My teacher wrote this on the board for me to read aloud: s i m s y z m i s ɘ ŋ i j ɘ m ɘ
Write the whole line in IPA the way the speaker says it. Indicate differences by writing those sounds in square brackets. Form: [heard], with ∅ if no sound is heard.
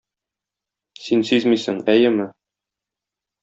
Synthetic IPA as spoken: s i [n] s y z m i s ɘ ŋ [æ] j ɘ m ɘ